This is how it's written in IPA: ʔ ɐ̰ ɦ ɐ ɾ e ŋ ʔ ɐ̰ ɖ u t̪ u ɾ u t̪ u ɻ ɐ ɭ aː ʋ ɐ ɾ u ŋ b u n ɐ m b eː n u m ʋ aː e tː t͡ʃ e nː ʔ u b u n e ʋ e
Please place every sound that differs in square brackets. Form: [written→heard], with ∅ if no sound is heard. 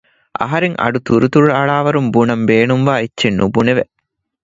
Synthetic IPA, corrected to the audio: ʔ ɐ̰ ɦ ɐ ɾ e ŋ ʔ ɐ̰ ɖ u t̪ u ɾ u t̪ u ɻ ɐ ɭ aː ʋ ɐ ɾ u [ŋ→m] b u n ɐ m b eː n u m ʋ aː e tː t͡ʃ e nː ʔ u b u n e ʋ e